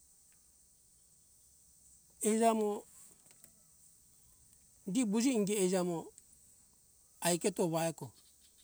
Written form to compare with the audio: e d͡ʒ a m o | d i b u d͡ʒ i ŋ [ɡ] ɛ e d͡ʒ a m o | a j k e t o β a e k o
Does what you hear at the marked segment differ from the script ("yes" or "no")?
no